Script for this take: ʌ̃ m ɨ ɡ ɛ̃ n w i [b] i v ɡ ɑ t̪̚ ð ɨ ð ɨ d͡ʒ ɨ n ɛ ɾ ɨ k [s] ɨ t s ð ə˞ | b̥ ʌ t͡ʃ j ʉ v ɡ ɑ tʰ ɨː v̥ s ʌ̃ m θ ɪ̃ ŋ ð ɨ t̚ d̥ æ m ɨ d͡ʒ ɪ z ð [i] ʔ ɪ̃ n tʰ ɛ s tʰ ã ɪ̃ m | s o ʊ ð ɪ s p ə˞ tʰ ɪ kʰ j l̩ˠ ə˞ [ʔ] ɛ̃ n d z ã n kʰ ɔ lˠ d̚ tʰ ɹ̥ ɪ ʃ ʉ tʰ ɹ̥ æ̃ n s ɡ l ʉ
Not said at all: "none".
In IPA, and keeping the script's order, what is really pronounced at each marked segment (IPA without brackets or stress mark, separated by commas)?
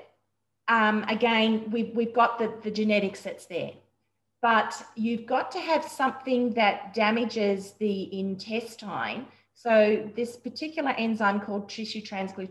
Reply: w, s, i, ʔ